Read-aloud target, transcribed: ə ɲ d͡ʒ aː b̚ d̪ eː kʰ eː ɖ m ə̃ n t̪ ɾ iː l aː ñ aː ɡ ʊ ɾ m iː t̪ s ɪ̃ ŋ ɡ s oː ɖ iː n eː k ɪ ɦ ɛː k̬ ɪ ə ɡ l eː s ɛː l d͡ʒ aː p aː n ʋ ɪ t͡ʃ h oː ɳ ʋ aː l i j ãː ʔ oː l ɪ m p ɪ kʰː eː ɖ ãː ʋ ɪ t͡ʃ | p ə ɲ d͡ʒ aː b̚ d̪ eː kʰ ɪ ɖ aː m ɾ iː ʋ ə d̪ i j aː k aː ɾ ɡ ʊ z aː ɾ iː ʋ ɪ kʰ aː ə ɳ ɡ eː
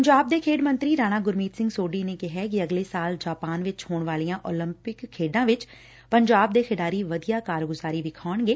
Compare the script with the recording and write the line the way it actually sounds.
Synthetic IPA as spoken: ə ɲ d͡ʒ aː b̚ d̪ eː kʰ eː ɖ m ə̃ n t̪ ɾ iː ɾ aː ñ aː ɡ ʊ ɾ m iː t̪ s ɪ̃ ŋ ɡ s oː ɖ iː n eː k ɪ ɦ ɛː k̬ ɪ ə ɡ l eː s aː l d͡ʒ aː p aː n ʋ ɪ t͡ʃ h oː ɳ ʋ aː l i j ãː ʔ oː l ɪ m p ɪ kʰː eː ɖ ãː ʋ ɪ t͡ʃ | p ə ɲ d͡ʒ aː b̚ d̪ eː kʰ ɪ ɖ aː ɾ iː ʋ ə d̪ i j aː k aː ɾ ɡ ʊ z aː ɾ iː ʋ ɪ kʰ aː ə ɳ ɡ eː

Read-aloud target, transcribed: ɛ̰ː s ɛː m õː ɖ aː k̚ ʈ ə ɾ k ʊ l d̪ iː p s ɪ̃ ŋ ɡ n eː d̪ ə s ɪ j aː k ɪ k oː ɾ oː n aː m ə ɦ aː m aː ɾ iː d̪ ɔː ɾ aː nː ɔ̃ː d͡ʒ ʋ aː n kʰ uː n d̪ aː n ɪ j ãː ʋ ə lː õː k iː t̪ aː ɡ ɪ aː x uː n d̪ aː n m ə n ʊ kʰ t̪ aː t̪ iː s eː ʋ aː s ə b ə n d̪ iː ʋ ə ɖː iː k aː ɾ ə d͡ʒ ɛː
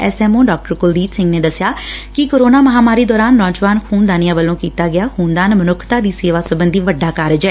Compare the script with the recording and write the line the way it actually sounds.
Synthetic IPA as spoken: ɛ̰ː s ɛː m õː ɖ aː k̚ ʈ ə ɾ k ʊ l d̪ iː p s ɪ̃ ŋ ɡ n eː d̪ ə s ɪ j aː k ɪ k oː ɾ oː n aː m ə ɦ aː m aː ɾ iː d̪ ɔː ɾ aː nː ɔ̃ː d͡ʒ ʋ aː n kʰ uː n d̪ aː n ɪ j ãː ʋ ə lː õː k iː t̪ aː ɡ ɪ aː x uː n d̪ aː n m ə n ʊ kʰ t̪ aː d̪ iː s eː ʋ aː s ə b ə n d̪ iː ʋ ə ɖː aː k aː ɾ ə d͡ʒ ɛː

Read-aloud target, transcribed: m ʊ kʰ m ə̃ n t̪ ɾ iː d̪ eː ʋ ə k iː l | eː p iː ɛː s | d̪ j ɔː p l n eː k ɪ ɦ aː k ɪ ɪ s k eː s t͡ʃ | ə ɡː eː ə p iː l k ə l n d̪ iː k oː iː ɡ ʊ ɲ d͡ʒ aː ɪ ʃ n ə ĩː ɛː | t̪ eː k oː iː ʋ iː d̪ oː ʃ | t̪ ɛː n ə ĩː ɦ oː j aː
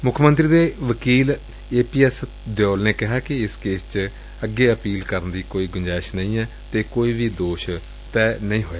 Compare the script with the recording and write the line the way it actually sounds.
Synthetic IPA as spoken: m ʊ kʰ m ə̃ n t̪ ɾ iː d̪ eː ʋ ə k iː l | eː p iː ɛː s | d̪ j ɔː l n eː k ɪ ɦ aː k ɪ ɪ s k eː s t͡ʃ | ə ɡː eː ə p iː l k ə ɾ n d̪ iː k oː iː ɡ ʊ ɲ d͡ʒ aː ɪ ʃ n ə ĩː ɛː | t̪ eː k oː iː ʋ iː d̪ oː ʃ | t̪ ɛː n ə ĩː ɦ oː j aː

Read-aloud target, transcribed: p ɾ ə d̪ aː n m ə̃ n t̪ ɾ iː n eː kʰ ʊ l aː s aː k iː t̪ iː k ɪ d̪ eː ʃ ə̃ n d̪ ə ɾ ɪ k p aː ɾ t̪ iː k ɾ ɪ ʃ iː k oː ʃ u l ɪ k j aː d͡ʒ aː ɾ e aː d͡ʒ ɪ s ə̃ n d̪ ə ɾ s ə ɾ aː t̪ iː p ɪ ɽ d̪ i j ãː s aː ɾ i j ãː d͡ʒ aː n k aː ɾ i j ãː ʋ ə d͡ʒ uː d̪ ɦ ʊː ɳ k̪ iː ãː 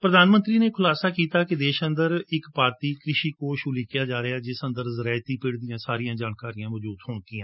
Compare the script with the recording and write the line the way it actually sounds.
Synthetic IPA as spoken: p ɾ ə d̪ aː n m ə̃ n t̪ ɾ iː n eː kʰ ʊ l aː s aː k iː t̪ aː k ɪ d̪ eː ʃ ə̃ n d̪ ə ɾ ɪ k p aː ɾ t̪ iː k ɾ ɪ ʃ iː k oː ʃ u l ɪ k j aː d͡ʒ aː ɾ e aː d͡ʒ ɪ s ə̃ n d̪ ə ɾ z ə ɾ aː t̪ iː p ɪ ɽ d̪ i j ãː s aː ɾ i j ãː d͡ʒ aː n k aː ɾ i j ãː ʋ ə d͡ʒ uː d̪ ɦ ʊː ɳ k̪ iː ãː

